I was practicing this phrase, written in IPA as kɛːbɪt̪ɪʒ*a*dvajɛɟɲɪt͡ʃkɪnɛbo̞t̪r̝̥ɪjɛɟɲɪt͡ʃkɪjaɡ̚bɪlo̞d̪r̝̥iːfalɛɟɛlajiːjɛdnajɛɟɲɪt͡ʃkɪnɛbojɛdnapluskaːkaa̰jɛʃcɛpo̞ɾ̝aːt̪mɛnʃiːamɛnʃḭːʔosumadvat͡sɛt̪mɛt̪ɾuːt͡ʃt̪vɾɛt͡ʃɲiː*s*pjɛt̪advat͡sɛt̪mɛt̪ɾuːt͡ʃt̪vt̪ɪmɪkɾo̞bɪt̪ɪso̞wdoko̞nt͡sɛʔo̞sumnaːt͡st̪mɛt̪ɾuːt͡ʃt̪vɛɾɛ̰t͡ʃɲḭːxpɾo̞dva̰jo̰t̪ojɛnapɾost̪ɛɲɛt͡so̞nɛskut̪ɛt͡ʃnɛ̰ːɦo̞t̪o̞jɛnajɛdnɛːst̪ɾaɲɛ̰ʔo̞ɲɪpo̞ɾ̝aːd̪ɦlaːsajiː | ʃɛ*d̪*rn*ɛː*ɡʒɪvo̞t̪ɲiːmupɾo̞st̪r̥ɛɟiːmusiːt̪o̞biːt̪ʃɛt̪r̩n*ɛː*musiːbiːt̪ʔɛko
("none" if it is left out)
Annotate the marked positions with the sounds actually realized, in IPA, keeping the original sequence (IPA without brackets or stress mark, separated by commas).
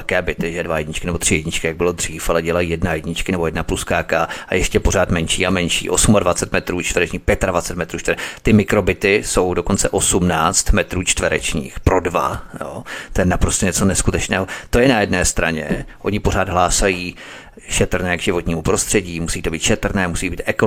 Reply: ɛ, x, t̪, ɛː, ɛː